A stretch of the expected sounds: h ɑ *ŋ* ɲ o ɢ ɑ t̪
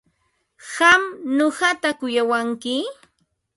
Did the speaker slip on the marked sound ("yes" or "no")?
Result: yes